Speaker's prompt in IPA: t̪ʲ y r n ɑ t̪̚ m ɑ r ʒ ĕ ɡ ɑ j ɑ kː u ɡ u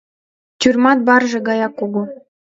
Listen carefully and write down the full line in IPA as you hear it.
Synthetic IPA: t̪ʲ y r m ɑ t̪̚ b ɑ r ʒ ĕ ɡ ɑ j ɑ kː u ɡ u

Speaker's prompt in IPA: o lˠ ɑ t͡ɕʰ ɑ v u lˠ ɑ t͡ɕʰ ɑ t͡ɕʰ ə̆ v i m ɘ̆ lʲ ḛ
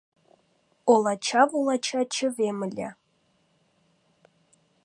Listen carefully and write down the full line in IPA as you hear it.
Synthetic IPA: o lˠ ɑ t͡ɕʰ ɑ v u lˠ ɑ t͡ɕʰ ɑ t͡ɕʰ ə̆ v e m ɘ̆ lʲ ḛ

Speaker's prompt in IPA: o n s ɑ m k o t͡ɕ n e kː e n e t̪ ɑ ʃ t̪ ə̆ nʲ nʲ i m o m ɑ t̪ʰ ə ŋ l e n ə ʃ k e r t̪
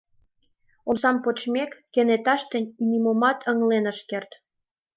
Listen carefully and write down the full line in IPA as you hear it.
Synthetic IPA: o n s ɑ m p o t͡ɕ m e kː e n e t̪ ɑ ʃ t̪ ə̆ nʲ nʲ i m o m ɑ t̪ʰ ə ŋ l e n ə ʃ k e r t̪

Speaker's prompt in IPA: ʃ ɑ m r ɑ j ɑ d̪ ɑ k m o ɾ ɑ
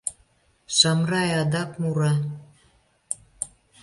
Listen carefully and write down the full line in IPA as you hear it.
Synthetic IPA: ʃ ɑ m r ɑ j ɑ d̪ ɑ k m u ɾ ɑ

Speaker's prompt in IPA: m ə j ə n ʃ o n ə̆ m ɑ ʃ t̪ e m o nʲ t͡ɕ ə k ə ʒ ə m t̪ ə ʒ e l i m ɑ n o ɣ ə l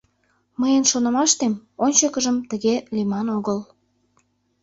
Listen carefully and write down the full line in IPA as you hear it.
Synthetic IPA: m ə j ə n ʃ o n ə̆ m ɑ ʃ t̪ e m o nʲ t͡ɕ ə k ə ʒ ə m t̪ ə ɣ e l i m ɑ n o ɣ ə l

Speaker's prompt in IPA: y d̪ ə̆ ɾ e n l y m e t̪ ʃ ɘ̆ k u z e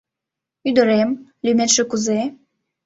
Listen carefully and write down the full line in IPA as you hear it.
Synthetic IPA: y d̪ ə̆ ɾ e m l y m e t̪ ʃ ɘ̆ k u z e

